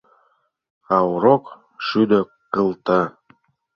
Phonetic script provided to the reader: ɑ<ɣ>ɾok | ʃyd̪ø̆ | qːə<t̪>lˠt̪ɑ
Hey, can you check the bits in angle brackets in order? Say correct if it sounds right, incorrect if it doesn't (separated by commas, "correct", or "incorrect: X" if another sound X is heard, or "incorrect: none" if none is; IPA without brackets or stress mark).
incorrect: w, incorrect: none